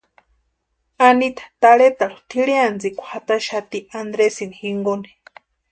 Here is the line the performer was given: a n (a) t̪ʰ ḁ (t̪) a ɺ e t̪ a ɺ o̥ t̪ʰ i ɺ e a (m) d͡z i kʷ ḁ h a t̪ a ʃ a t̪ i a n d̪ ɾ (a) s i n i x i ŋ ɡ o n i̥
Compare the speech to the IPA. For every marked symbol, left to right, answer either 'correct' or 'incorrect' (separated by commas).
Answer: incorrect, correct, incorrect, incorrect